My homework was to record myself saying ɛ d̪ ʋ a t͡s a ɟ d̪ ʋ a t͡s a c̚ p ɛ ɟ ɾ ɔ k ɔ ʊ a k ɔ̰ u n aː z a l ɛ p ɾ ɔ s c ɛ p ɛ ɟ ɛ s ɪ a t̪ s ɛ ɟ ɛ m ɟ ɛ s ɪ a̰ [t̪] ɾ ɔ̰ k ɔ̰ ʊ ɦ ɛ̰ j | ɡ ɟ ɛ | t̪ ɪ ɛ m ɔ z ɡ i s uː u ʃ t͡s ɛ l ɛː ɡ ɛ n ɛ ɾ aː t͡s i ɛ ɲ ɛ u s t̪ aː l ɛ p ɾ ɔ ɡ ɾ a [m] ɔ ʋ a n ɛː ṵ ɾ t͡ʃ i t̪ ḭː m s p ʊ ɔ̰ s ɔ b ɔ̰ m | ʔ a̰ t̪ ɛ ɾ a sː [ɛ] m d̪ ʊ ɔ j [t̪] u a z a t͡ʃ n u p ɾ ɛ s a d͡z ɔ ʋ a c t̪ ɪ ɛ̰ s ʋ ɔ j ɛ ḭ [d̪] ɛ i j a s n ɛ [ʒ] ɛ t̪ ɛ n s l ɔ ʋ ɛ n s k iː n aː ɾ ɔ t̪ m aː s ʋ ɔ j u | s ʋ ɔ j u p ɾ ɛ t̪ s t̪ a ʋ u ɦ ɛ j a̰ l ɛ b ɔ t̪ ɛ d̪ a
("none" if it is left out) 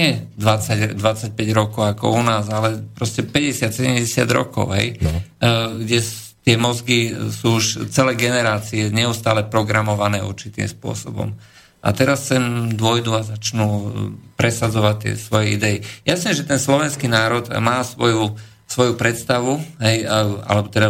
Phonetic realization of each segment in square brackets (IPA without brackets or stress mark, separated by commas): d̪, m, ɛ, d̪, d̪, ʒ